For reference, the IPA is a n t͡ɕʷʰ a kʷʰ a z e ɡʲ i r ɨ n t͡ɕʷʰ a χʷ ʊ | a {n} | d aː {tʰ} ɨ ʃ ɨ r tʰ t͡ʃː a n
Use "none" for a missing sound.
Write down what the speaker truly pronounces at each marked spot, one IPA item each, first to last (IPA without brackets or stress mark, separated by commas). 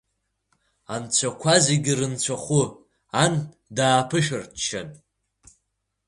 n, pʰ